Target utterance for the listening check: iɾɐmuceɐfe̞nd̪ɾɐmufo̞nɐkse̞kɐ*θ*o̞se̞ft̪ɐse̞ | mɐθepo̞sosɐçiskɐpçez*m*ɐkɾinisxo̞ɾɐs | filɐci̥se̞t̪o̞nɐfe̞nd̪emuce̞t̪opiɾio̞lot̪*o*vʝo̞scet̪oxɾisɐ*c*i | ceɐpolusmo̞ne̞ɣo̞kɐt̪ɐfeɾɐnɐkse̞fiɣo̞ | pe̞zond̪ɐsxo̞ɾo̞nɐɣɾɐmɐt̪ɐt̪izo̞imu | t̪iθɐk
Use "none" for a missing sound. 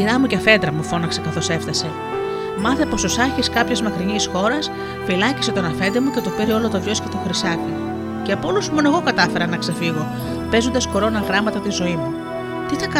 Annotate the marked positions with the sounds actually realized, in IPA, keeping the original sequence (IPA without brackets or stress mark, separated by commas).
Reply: θ, m, o, k